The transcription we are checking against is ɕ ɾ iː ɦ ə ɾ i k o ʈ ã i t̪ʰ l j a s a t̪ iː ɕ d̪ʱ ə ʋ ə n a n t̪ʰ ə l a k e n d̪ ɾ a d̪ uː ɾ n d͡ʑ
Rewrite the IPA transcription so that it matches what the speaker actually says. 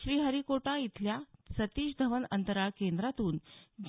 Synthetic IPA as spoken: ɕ ɾ iː ɦ ə ɾ i k o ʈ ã i t̪ʰ l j a s ə t̪ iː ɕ d̪ʱ ə ʋ ə n ə n t̪ ə ɾ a k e n d̪ ɾ a t̪ uː n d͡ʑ